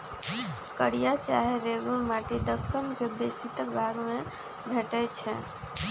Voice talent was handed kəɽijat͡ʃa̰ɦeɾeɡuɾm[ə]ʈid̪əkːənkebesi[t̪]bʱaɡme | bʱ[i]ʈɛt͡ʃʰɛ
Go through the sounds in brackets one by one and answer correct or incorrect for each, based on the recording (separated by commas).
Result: incorrect, correct, incorrect